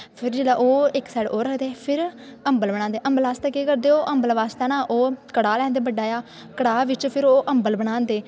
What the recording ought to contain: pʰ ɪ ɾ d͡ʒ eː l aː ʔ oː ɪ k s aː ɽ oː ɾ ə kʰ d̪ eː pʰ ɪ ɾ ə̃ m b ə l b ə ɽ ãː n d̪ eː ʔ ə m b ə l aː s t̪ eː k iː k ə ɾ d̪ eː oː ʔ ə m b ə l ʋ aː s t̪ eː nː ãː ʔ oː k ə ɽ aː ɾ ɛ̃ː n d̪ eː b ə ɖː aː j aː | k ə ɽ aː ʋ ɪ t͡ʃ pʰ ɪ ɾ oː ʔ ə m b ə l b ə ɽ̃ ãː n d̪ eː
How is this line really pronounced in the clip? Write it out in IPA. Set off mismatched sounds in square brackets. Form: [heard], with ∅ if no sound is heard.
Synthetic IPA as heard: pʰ ɪ ɾ d͡ʒ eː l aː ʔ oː ɪ k s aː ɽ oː ɾ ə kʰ d̪ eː pʰ ɪ ɾ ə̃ m b ə l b ə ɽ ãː n d̪ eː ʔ ə m b ə l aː s t̪ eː k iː k ə ɾ d̪ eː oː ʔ ə m b ə l ʋ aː s t̪ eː [n] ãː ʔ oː k ə ɽ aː [l] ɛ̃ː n d̪ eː b ə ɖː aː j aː | k ə ɽ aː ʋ ɪ t͡ʃ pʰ ɪ ɾ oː ʔ ə m b ə l b ə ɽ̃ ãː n d̪ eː